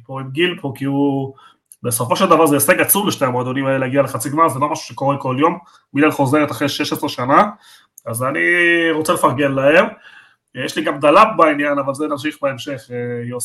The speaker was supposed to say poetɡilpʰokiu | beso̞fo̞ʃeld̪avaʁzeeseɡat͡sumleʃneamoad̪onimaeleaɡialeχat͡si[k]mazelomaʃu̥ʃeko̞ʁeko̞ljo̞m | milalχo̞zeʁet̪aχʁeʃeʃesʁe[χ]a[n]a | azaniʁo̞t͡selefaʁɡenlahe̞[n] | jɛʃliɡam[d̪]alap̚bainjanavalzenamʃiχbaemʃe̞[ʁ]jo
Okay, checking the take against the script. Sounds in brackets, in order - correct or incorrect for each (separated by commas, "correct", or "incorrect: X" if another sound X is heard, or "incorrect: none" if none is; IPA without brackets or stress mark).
incorrect: ɡ, incorrect: ʃ, correct, incorrect: m, correct, incorrect: χ